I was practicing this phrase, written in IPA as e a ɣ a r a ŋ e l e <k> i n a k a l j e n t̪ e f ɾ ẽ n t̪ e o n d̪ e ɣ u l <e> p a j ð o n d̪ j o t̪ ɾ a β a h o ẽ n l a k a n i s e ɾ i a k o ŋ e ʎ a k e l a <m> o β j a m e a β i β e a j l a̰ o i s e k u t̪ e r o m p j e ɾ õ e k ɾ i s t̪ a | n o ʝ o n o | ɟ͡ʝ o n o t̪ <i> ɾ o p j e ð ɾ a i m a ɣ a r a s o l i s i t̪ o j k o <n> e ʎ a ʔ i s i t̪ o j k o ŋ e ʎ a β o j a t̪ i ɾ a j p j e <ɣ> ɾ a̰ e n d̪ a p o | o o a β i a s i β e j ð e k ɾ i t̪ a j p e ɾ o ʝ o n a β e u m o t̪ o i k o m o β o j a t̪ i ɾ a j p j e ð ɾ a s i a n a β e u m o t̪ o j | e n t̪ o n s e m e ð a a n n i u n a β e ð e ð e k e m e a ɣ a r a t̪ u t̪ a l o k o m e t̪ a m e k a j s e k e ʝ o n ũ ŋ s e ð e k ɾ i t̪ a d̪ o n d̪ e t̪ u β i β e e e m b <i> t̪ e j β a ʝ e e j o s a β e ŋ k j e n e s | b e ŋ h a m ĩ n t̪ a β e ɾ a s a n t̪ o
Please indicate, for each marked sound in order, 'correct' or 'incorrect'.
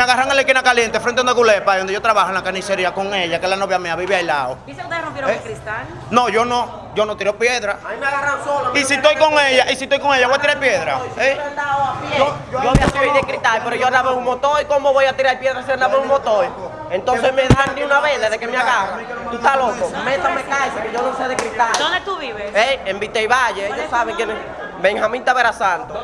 correct, correct, incorrect, correct, incorrect, incorrect, correct

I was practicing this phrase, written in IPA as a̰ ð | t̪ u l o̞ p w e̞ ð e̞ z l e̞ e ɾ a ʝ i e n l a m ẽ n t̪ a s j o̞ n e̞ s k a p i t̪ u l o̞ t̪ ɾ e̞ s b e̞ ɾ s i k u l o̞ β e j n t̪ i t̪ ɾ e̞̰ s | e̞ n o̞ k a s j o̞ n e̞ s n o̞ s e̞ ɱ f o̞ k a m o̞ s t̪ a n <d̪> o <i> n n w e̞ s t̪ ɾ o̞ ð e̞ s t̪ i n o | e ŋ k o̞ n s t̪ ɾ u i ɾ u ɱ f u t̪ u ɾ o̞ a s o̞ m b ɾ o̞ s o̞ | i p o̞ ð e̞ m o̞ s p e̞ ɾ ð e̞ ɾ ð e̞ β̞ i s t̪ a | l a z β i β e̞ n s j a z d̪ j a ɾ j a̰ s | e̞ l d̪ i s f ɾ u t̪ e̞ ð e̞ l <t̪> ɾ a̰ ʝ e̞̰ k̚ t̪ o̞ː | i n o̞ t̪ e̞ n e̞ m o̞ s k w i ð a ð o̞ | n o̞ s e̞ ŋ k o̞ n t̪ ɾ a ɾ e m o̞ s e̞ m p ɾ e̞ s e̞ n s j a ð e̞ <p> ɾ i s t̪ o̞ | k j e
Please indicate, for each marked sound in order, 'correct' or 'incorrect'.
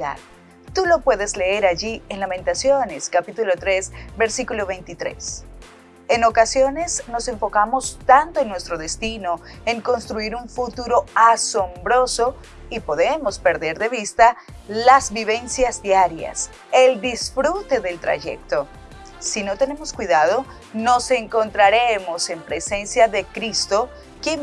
incorrect, incorrect, correct, incorrect

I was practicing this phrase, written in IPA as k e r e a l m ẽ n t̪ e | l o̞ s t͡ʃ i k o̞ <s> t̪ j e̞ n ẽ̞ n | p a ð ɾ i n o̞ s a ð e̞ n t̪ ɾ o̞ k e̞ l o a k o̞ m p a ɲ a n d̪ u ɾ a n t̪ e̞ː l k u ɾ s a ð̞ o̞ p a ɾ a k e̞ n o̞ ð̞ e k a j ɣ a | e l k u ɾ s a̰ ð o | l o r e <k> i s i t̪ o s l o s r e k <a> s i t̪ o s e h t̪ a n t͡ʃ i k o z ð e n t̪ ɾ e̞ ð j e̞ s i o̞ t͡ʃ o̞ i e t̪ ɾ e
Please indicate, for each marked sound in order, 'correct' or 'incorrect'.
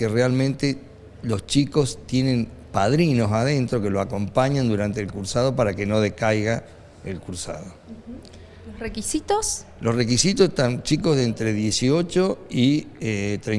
correct, correct, incorrect

